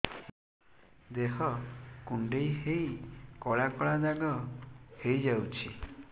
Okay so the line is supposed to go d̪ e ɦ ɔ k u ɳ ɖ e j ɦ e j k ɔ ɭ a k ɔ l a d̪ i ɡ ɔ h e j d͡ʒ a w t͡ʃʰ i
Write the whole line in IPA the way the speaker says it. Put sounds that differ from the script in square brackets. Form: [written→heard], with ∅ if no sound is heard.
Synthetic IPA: d̪ e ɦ ɔ k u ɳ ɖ e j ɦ e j k ɔ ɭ a k ɔ [l→ɭ] a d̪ [i→a] ɡ ɔ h e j d͡ʒ a w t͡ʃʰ i